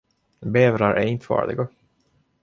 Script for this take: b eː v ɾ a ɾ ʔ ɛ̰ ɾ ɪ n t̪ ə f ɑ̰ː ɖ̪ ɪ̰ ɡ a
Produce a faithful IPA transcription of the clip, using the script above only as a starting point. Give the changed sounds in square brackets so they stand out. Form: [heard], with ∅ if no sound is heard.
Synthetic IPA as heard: b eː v ɾ a ɾ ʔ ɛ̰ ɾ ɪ n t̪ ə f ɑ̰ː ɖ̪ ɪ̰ ɡ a